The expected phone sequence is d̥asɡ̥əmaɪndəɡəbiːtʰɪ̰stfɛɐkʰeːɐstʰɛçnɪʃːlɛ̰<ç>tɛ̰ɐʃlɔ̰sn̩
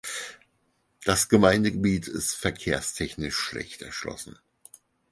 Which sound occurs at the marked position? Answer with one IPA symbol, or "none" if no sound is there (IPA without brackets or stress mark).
ç